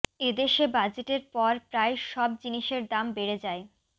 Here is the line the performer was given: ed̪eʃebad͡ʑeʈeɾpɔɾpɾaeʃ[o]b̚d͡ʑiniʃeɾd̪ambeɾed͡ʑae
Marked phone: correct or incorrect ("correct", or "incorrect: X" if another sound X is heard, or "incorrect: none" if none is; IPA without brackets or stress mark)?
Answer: incorrect: ɔ